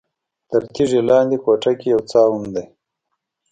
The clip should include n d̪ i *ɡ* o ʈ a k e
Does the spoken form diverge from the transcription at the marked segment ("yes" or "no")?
yes